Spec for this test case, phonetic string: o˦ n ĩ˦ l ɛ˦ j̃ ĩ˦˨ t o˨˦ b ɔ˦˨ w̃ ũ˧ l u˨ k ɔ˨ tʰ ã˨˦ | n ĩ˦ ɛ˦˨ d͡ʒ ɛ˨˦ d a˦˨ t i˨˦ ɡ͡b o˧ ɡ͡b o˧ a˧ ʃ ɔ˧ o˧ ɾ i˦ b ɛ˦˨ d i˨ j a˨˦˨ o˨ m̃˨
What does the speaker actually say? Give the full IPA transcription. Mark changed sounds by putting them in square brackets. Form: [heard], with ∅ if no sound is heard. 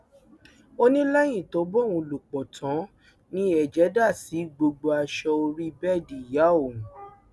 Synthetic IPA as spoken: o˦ n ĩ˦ l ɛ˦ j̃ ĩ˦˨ t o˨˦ b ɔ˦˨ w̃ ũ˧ l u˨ [k͡p] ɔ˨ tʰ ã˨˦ | n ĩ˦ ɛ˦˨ d͡ʒ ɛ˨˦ d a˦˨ [s] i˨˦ ɡ͡b o˧ ɡ͡b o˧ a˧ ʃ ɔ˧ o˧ ɾ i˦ b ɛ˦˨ d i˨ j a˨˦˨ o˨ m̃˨